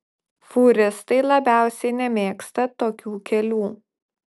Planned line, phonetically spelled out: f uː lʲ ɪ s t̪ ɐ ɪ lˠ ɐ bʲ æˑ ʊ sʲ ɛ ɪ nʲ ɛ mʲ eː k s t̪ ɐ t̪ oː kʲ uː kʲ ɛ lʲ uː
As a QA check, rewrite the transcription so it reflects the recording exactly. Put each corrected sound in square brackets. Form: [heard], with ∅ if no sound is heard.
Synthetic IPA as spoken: f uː [ɾʲ] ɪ s t̪ ɐ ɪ lˠ ɐ bʲ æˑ ʊ sʲ ɛ ɪ nʲ ɛ mʲ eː k s t̪ ɐ t̪ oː kʲ uː kʲ ɛ lʲ uː